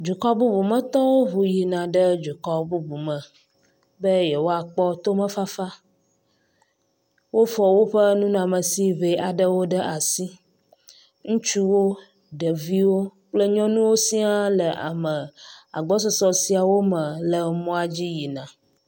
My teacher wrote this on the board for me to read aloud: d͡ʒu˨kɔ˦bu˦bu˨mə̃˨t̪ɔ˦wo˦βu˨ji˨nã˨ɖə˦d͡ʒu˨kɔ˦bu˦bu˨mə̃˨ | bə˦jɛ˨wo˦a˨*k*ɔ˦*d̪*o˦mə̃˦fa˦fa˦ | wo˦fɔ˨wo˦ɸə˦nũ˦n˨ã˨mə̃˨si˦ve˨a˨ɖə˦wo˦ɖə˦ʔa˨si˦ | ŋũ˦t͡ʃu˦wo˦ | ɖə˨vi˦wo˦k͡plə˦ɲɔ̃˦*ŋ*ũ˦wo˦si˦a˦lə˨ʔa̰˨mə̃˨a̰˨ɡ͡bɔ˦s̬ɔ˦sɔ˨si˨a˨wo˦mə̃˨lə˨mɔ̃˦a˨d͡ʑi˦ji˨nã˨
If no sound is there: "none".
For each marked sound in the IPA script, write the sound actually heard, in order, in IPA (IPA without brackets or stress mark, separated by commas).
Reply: k͡p, t̪, n